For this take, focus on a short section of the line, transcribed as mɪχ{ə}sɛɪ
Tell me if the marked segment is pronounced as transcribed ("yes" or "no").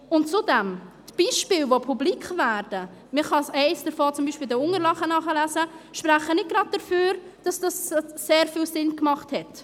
no